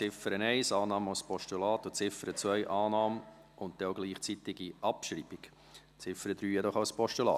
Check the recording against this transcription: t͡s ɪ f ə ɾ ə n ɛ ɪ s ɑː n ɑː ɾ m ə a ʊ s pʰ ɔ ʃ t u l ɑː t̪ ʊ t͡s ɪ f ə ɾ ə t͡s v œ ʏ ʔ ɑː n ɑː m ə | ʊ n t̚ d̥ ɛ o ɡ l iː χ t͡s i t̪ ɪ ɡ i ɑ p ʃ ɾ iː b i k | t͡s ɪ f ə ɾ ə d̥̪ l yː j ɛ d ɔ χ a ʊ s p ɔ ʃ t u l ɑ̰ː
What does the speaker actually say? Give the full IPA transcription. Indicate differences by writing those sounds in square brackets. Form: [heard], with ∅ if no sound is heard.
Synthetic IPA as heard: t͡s ɪ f ə ɾ ə n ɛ ɪ s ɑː n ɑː [∅] m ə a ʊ s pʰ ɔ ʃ t u l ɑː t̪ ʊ t͡s ɪ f ə ɾ ə t͡s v œ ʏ ʔ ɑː n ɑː m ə | ʊ n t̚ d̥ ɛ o ɡ l iː χ t͡s i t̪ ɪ ɡ i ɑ p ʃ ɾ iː b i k | t͡s ɪ f ə ɾ ə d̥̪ [ɾ] yː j ɛ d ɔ χ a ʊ s p ɔ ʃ t u l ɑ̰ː

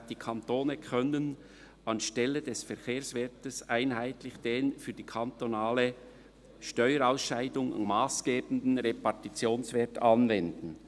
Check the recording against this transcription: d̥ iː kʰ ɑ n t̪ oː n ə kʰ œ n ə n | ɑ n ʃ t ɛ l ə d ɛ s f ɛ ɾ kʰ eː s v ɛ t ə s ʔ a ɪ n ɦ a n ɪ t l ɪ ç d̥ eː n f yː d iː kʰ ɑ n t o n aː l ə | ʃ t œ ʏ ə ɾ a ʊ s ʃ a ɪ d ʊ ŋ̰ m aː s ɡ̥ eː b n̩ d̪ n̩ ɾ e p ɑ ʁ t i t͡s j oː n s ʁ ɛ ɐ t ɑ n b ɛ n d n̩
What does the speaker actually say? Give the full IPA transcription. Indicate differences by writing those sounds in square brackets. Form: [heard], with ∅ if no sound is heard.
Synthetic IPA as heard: d̥ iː kʰ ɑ n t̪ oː n ə kʰ œ n ə n | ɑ n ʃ t ɛ l ə d ɛ s f ɛ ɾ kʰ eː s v ɛ t ə s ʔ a ɪ n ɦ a [∅] ɪ t l ɪ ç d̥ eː n f yː d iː kʰ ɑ n t o n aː l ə | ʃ t œ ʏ ə ɾ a ʊ s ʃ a ɪ d ʊ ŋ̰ m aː s ɡ̥ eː b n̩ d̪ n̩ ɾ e p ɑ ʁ t i t͡s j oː n s [v] ɛ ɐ t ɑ n [v] ɛ n d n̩

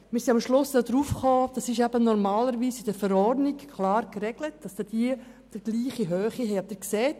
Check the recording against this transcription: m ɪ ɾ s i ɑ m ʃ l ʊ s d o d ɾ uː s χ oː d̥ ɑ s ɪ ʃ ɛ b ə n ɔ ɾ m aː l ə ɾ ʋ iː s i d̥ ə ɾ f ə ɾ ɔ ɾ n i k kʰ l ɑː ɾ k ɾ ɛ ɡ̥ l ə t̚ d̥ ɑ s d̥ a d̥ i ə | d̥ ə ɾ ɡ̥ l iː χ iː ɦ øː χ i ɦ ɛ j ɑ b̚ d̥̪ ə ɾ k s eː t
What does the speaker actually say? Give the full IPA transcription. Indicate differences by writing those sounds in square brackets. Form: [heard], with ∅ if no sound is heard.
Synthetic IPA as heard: m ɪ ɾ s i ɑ m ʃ l ʊ s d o d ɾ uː [f] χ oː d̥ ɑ s ɪ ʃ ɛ b ə n ɔ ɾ m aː l ə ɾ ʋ iː s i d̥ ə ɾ f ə ɾ ɔ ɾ n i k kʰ l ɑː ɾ k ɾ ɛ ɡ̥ l ə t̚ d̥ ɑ s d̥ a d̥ i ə | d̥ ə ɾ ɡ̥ l iː χ [i] ɦ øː χ i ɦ ɛ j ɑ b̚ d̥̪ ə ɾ k s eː t

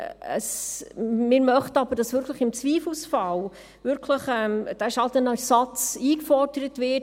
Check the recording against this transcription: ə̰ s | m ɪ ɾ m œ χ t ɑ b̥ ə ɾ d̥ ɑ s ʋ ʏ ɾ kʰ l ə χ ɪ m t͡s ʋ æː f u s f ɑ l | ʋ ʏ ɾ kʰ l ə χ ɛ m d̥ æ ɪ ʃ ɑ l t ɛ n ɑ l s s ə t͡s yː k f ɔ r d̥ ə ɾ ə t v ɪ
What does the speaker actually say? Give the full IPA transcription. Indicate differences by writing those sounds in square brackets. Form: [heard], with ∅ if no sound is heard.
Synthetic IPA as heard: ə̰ s | m ɪ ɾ m œ χ t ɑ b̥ ə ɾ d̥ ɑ s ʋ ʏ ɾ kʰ l ə χ ɪ m t͡s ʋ [iː] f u s f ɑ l | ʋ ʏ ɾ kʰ l ə χ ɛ m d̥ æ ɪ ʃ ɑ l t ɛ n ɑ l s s [ɑ] t͡s [iː] k f ɔ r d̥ ə ɾ ə t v ɪ

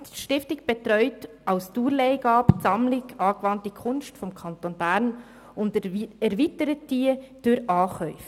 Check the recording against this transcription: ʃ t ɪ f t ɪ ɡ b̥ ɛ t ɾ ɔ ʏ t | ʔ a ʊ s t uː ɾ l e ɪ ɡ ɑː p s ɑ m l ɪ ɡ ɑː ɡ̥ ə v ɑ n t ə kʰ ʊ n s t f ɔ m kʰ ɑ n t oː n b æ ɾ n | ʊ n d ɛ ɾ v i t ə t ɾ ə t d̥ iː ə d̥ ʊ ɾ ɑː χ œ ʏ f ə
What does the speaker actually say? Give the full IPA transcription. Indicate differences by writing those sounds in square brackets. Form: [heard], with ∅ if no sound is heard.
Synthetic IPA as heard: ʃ t ɪ f t ɪ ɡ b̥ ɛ t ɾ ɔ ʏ t | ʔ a ʊ s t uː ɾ l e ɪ ɡ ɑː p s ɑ m l ɪ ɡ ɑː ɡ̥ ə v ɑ n t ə kʰ ʊ n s t f ɔ m kʰ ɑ n t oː n b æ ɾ n | ʊ n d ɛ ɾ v i t ə [∅] ɾ ə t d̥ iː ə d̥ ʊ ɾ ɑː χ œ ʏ f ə

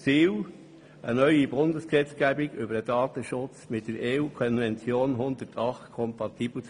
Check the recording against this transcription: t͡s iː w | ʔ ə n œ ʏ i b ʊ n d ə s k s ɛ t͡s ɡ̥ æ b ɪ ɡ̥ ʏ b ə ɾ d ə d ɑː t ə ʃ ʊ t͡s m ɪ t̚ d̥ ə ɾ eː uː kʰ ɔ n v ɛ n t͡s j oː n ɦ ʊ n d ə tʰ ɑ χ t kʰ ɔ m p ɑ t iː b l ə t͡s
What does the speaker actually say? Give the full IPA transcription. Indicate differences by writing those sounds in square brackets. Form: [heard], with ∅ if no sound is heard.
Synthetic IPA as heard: t͡s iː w | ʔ ə n œ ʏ i b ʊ n d ə s k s ɛ t͡s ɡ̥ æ b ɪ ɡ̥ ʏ b ə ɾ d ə d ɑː t ə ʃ ʊ t͡s m ɪ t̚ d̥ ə ɾ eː uː kʰ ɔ n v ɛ n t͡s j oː n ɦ ʊ n d ə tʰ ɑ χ t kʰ ɔ m p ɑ t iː b l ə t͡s

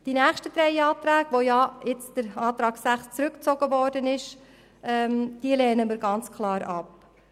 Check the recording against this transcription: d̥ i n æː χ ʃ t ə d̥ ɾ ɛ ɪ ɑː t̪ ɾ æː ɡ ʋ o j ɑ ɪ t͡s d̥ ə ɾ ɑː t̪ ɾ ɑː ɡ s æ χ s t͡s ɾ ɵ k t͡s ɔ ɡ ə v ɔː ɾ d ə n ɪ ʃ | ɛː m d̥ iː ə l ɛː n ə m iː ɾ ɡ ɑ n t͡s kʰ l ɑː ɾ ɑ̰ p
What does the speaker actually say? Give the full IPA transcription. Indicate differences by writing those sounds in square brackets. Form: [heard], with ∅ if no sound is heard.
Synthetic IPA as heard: d̥ i n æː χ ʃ t ə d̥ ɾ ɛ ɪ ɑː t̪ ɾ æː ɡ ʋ o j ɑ ɪ t͡s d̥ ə ɾ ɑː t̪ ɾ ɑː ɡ s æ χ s t͡s ɾ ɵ k t͡s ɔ ɡ ə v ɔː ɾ d ə n ɪ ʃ | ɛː m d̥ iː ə l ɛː n ə m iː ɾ ɡ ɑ n t͡s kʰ l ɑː ɾ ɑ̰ p

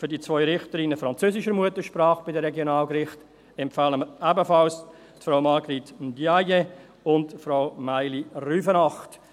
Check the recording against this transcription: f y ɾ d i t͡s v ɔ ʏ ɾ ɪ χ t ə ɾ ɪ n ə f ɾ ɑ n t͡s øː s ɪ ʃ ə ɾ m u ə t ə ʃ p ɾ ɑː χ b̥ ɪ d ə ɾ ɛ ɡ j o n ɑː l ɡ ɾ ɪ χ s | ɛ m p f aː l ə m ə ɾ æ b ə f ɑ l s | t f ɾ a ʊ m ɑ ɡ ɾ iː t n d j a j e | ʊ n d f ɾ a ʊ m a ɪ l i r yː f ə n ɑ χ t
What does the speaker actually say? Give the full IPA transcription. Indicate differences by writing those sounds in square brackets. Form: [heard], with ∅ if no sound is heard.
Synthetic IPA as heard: f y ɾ d i t͡s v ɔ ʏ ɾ ɪ χ t ə ɾ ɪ n ə f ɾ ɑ n t͡s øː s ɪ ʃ ə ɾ m u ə t ə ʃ p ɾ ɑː χ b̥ ɪ d ə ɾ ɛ ɡ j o n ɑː l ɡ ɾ ɪ χ [t] | ɛ m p f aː l ə m ə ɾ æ b ə f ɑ l s | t f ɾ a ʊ m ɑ ɡ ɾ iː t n d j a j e | ʊ n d f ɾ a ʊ m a ɪ l i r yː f ə n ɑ χ t

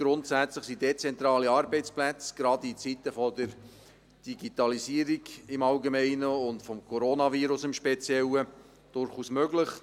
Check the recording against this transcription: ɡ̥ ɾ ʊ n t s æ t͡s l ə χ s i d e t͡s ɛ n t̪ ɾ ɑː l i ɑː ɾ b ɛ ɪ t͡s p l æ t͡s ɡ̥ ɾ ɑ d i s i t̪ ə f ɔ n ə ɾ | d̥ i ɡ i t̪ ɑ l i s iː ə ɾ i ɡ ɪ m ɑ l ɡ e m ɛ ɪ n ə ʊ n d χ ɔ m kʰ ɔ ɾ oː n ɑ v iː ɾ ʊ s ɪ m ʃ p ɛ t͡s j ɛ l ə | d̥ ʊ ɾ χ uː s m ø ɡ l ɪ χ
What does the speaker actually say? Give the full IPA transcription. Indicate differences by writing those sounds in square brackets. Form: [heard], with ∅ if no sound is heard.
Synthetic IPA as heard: ɡ̥ ɾ ʊ n t s æ t͡s l ə χ s i d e t͡s ɛ n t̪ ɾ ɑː l i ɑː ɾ b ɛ ɪ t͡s p l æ t͡s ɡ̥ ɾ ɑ d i [t͡s] i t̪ ə f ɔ [d] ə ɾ | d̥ i ɡ i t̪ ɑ l i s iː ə ɾ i ɡ ɪ m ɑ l ɡ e m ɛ ɪ n ə ʊ n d [f] ɔ m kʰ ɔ ɾ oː n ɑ v iː ɾ ʊ s ɪ m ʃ p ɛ t͡s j ɛ l ə | d̥ ʊ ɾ χ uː s m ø ɡ l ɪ χ

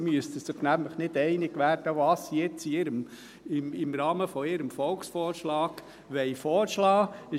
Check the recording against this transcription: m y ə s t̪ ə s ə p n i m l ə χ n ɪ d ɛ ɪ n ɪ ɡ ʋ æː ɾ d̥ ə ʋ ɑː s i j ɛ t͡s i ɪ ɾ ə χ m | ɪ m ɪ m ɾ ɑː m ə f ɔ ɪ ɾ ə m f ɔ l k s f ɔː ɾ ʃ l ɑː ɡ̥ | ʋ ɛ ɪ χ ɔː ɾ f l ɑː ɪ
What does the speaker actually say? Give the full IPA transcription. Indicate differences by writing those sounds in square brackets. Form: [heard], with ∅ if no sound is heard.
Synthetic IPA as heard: m y ə s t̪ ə s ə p n [æ] m l ə χ n ɪ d ɛ ɪ n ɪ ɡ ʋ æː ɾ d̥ ə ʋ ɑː s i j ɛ t͡s i ɪ ɾ ə [∅] m | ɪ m ɪ m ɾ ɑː m ə f ɔ ɪ ɾ ə m f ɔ l k s f ɔː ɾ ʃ l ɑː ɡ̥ | ʋ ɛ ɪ [f] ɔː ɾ [ʃ] l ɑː ɪ

